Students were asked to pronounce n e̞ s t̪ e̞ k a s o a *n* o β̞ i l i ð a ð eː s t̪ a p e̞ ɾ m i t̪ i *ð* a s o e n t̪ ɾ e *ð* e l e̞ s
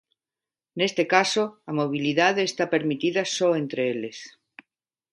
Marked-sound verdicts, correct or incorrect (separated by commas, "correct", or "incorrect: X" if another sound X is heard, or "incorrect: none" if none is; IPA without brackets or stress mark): incorrect: m, correct, incorrect: none